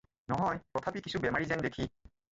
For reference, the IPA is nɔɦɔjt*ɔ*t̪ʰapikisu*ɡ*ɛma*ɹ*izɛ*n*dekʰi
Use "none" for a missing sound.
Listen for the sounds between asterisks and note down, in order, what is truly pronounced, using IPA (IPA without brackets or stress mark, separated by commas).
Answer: ɔ, b, ɹ, n